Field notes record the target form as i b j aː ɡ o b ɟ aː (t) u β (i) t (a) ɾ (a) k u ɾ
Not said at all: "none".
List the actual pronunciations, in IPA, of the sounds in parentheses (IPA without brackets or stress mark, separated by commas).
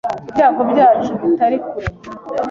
t͡ʃ, i, a, i